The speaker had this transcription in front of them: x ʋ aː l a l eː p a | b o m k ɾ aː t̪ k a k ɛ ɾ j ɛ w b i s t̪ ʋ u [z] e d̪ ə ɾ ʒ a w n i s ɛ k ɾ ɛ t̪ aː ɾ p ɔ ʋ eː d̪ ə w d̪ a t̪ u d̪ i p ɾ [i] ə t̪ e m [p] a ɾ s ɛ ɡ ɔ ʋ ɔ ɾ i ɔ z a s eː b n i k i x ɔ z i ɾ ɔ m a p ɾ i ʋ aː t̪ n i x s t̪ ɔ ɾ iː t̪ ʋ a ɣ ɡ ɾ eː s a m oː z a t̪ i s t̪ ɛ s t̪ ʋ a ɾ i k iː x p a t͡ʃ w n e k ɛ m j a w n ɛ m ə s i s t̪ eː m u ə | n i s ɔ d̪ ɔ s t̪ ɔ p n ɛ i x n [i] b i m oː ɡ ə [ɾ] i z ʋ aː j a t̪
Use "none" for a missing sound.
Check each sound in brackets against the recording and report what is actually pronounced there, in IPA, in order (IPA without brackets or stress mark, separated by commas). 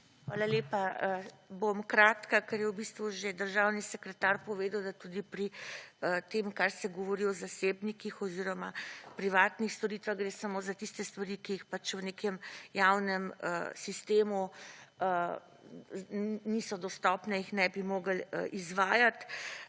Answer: ʒ, i, k, ɛ, l